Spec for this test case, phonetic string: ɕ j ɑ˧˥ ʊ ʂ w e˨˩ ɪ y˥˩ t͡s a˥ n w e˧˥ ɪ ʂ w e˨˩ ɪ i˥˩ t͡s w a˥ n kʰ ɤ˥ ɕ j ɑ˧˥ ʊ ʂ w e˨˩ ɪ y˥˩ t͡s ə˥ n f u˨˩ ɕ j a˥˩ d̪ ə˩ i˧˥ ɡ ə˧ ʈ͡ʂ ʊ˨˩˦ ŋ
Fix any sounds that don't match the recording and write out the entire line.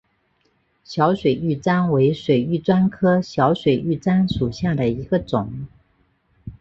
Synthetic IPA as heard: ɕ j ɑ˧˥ ʊ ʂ w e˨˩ ɪ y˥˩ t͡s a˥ n w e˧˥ ɪ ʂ w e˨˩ ɪ y˥˩ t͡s w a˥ n kʰ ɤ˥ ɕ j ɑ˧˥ ʊ ʂ w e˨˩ ɪ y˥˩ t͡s a˥ n ʂ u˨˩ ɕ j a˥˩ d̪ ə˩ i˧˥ ɡ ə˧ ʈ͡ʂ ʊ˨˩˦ ŋ